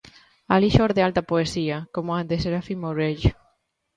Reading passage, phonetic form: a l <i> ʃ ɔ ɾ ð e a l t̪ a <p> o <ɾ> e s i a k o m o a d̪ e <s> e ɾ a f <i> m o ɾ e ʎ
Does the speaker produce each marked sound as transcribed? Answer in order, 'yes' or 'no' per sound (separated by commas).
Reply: yes, yes, no, yes, yes